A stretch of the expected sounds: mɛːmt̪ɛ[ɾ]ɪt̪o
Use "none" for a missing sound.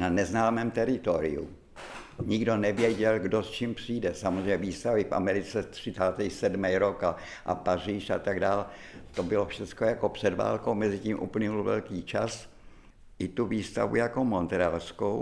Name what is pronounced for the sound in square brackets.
ɾ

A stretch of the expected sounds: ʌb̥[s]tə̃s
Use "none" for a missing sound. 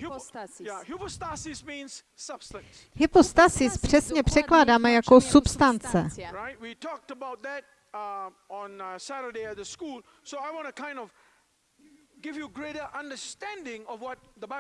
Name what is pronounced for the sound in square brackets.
s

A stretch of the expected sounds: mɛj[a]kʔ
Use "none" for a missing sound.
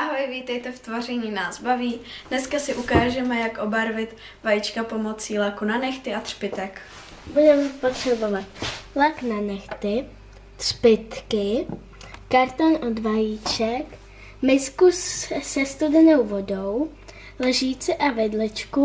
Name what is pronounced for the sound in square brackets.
a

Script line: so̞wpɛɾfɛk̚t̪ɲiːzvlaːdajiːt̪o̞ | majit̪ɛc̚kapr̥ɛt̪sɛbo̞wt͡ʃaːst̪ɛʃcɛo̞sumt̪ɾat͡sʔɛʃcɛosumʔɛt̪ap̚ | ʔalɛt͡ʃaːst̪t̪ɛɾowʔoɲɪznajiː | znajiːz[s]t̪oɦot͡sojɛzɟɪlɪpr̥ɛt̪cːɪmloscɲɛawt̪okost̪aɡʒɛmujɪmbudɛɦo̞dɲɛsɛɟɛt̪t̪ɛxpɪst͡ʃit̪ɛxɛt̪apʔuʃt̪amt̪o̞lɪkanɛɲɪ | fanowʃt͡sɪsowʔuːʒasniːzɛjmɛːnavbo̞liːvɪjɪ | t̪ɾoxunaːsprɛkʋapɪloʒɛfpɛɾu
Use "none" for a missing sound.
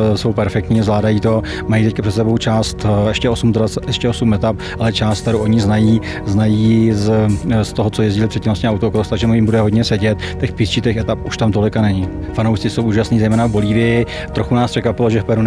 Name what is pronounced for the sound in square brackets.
s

